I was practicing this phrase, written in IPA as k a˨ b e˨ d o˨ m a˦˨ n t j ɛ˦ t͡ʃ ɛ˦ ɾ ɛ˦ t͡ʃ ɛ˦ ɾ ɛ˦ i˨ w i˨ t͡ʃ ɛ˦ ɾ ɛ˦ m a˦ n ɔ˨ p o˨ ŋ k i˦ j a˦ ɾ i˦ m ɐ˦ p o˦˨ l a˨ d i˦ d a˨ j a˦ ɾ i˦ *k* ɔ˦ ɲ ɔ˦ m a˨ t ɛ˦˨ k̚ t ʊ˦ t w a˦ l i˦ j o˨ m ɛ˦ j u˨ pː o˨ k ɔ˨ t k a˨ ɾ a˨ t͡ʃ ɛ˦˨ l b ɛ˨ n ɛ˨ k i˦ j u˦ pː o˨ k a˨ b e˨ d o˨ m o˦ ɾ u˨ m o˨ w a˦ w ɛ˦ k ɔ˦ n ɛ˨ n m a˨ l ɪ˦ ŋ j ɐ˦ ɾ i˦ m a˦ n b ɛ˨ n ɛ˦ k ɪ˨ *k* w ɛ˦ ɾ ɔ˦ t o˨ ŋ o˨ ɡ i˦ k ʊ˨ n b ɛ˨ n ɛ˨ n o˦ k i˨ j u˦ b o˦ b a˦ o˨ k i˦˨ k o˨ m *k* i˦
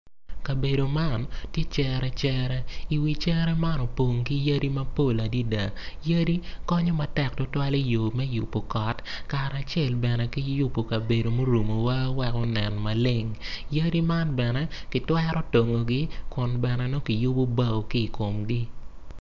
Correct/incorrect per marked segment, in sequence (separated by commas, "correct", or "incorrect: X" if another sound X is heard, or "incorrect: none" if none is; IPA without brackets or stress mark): correct, incorrect: t, incorrect: ɡ